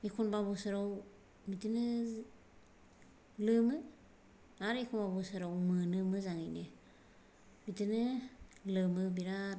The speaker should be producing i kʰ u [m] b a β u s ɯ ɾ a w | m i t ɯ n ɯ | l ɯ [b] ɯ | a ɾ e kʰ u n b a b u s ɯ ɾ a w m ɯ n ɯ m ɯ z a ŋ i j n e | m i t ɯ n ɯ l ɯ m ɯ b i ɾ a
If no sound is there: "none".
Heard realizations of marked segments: n, m

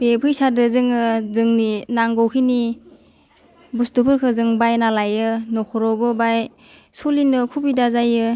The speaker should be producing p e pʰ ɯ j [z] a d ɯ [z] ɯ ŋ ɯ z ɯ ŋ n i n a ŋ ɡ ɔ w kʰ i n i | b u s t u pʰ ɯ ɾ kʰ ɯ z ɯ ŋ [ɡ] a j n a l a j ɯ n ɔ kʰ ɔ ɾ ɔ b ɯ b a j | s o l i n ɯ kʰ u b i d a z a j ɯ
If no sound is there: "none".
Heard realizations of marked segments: s, z, b

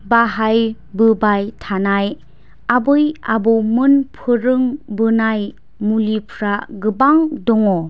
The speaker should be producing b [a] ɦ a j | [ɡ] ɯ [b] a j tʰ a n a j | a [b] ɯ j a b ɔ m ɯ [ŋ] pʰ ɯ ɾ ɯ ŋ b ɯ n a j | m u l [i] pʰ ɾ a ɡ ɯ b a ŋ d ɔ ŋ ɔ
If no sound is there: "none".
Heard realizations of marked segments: a, b, b, b, n, i

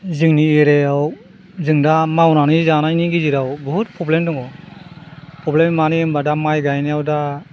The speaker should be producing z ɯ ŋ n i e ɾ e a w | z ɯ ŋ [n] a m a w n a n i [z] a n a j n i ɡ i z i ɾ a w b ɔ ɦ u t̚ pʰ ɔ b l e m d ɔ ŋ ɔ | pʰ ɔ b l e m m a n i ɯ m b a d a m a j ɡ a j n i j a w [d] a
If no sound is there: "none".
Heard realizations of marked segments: d, z, d

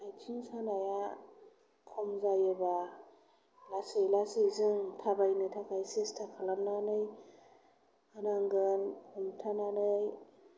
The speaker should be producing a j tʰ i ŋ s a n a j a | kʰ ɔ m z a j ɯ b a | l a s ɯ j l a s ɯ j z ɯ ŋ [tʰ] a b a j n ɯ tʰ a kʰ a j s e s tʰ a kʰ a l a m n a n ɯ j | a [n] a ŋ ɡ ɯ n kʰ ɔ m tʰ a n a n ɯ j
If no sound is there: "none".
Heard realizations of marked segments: tʰ, n

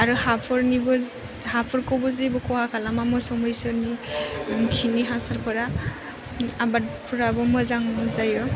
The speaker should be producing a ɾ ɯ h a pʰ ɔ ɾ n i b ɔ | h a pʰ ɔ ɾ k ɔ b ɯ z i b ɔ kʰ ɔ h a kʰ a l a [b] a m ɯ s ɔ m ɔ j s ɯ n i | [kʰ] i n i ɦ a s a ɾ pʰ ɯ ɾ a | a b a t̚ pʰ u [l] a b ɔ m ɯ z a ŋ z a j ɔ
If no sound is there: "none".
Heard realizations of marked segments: m, kʰ, ɾ

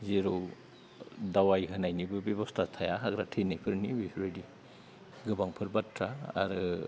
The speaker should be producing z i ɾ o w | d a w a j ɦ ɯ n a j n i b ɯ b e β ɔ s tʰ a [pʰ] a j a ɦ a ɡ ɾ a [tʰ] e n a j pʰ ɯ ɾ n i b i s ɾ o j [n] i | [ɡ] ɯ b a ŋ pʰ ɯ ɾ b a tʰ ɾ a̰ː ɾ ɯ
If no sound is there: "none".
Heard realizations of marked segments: tʰ, tʰ, d, ɡ

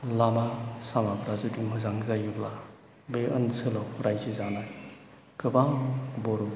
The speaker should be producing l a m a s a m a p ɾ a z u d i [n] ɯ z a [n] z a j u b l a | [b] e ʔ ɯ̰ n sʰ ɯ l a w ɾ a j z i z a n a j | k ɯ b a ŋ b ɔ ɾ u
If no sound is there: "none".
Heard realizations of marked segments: m, ŋ, b

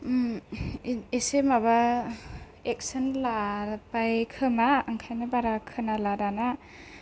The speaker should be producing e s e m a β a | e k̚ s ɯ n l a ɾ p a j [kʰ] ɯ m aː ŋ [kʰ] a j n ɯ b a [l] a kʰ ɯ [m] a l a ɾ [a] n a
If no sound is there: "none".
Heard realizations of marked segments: kʰ, kʰ, ɾ, n, a

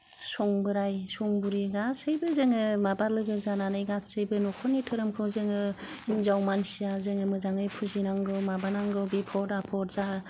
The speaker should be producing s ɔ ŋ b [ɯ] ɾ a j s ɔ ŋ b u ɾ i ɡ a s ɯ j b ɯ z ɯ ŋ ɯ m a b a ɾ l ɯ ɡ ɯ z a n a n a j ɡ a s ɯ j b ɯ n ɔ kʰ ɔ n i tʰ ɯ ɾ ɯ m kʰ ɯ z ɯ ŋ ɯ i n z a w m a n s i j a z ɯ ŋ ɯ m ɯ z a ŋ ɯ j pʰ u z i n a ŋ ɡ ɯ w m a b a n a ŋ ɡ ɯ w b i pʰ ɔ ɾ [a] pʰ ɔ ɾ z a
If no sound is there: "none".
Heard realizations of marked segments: ɯ, a

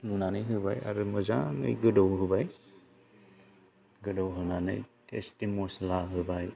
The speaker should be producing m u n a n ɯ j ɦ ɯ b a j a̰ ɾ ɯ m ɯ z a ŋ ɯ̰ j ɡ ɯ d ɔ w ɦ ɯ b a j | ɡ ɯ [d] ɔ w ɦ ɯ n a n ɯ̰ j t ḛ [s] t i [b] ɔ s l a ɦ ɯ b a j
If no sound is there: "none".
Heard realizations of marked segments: d, s, m

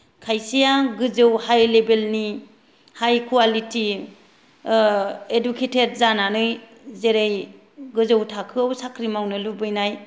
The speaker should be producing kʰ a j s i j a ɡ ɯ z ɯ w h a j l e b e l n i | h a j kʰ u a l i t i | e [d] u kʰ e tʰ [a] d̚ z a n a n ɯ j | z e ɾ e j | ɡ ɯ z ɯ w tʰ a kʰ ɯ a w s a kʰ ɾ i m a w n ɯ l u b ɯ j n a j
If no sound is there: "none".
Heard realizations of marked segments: d, e

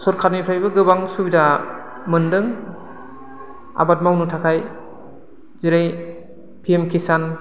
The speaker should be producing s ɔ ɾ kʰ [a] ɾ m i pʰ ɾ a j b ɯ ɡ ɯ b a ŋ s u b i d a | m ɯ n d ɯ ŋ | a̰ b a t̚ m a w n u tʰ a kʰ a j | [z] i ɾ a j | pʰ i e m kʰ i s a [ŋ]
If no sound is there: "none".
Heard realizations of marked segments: a, z, n

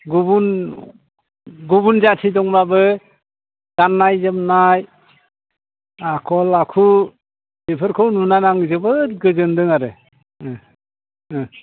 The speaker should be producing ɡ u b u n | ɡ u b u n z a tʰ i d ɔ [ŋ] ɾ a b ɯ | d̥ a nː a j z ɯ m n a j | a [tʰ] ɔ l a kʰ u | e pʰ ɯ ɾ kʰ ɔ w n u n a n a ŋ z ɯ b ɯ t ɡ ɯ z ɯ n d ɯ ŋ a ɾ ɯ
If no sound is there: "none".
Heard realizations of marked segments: ŋ, kʰ

